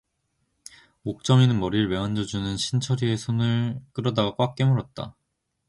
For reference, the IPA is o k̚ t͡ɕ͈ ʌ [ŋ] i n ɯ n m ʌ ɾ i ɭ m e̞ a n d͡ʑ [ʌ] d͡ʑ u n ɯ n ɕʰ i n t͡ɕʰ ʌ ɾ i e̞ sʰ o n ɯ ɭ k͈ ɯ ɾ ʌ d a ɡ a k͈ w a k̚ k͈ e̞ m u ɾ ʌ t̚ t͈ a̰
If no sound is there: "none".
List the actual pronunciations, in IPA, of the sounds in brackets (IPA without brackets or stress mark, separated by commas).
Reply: m, ʌ